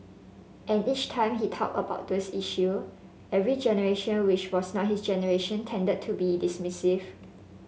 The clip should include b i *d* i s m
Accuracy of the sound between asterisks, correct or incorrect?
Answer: correct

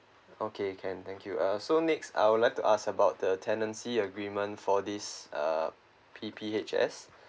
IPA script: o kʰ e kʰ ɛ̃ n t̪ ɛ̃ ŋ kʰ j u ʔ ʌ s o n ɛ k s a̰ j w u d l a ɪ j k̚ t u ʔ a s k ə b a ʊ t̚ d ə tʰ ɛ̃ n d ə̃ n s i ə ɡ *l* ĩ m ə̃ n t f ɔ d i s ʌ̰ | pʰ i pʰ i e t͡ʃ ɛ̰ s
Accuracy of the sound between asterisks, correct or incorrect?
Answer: incorrect: ɹ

